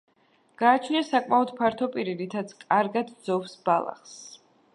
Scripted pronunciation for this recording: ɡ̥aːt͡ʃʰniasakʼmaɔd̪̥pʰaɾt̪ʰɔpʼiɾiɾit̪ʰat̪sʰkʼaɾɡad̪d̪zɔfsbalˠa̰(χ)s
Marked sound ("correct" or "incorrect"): correct